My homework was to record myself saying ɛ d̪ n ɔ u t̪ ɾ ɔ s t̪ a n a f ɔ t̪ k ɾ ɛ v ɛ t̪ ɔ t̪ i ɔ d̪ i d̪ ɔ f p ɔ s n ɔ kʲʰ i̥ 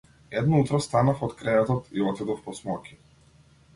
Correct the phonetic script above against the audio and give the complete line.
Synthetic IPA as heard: ɛ d̪ n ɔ u t̪ ɾ ɔ s t̪ a n a f ɔ t̪ k ɾ ɛ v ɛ t̪ ɔ t̪ i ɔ t̪ i d̪ ɔ f p ɔ s m ɔ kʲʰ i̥